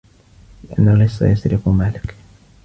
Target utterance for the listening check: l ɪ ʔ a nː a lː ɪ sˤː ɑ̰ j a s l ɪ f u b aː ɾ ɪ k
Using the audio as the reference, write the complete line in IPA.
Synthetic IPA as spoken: l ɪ ʔ a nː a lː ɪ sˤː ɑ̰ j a s ɾ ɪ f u m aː l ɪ k